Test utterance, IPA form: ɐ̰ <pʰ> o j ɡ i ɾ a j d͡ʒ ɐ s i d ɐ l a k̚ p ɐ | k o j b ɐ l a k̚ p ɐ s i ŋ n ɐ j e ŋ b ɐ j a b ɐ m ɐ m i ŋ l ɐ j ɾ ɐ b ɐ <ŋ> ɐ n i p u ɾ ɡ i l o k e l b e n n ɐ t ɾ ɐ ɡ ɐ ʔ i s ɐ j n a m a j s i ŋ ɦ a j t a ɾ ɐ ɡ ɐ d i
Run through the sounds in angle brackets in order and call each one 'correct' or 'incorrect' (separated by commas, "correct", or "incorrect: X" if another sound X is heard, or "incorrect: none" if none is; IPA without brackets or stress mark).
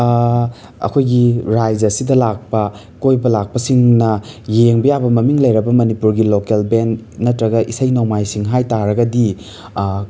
incorrect: kʰ, incorrect: m